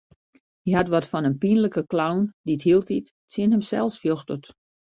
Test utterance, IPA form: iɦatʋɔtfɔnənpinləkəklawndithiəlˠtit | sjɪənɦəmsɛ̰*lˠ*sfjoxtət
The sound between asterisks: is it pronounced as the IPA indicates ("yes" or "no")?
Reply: yes